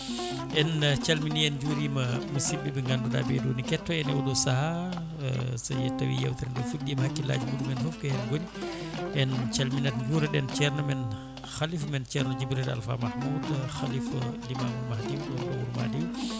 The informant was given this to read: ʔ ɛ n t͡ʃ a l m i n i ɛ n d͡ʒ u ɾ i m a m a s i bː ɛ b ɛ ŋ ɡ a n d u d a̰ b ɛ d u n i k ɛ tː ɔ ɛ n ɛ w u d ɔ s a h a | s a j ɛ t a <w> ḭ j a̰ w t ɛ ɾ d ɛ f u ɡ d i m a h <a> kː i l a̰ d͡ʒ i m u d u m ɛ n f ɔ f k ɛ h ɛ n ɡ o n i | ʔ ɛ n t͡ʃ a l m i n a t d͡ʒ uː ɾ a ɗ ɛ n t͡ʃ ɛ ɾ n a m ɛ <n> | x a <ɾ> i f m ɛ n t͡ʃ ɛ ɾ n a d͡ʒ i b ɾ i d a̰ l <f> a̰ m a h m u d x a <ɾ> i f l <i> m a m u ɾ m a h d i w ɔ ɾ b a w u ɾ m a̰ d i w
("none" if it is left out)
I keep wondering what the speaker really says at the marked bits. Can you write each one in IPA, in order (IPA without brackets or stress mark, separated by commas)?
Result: w, a, n, l, f, l, i